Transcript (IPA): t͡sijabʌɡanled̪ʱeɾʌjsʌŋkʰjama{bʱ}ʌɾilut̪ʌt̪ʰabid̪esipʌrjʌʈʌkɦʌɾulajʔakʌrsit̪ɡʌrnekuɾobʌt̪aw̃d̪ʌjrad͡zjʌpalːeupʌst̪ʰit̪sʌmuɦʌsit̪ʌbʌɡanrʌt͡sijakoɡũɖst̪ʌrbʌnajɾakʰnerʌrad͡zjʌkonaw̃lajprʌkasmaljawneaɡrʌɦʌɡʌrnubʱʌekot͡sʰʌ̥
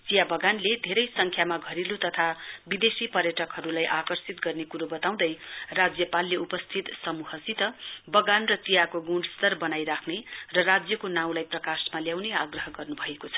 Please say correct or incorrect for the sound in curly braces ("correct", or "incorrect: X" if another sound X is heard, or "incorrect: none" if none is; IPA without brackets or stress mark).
incorrect: ɡʱ